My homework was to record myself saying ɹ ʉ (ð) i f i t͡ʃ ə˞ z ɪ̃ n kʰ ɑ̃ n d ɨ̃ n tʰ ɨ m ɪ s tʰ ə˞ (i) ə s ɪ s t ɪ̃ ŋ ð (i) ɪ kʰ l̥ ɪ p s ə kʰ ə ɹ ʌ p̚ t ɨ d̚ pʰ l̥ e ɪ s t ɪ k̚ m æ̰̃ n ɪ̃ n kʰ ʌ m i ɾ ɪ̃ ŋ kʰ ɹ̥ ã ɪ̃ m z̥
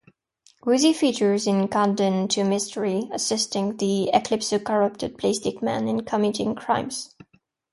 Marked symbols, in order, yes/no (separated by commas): no, yes, yes